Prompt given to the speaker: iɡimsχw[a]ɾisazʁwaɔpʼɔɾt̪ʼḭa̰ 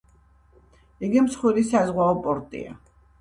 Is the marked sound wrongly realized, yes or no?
yes